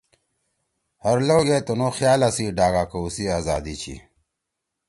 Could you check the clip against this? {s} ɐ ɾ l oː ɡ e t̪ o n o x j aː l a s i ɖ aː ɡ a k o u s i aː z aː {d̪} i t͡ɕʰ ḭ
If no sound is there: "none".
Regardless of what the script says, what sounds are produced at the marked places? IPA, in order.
h, d̪

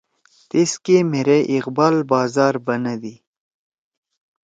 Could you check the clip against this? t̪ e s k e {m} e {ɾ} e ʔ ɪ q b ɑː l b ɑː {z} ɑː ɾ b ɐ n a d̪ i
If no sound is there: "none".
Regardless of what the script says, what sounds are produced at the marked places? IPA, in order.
m, ɾ, z

